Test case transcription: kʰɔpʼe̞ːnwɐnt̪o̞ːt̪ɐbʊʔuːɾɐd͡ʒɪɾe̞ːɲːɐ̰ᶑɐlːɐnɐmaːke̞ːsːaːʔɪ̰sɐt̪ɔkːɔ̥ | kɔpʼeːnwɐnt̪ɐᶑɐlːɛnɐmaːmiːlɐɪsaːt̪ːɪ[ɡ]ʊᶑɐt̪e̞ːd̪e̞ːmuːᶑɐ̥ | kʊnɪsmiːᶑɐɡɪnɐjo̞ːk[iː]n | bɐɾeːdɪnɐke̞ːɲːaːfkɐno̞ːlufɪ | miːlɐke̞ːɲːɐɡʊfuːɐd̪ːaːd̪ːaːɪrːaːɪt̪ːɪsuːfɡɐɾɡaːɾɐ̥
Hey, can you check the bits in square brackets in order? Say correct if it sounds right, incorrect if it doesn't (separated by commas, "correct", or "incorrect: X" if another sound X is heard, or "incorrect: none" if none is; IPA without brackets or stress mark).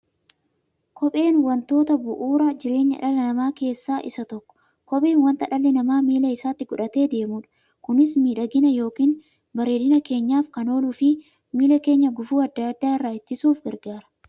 correct, correct